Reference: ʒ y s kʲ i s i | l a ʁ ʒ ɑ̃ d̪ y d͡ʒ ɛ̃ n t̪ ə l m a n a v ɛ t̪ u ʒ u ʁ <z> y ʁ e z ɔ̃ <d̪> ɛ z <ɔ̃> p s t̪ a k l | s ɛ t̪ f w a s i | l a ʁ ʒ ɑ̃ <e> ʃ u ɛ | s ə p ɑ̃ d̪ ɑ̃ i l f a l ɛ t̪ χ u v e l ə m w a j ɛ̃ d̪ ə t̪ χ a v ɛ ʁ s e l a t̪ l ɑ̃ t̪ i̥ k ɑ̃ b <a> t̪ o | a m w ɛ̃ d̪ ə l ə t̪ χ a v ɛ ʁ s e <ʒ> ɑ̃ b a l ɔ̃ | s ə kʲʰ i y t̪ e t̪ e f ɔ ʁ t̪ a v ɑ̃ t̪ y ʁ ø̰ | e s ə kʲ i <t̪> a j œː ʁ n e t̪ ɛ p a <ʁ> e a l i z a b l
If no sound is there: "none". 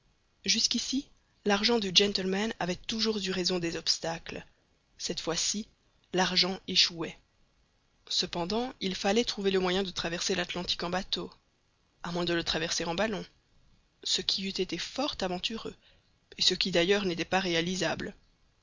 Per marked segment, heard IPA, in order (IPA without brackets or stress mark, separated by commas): z, d̪, ɔ, e, a, ʁ, d̪, ʁ